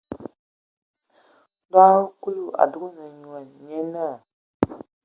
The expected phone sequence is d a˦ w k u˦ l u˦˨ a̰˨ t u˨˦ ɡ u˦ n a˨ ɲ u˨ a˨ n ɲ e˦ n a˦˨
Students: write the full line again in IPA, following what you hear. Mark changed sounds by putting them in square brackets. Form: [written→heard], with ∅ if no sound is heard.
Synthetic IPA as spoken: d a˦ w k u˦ l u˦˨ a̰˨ [t→d] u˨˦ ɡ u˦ n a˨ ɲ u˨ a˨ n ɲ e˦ n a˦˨